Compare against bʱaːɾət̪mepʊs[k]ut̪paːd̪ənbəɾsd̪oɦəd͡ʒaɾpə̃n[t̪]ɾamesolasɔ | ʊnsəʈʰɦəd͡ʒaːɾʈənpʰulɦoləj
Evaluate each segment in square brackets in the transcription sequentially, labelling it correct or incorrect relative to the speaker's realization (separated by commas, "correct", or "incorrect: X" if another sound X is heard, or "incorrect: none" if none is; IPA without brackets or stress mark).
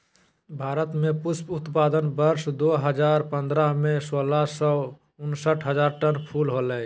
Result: incorrect: p, incorrect: d̪